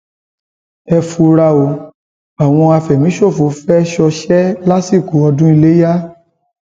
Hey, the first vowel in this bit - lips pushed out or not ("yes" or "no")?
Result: no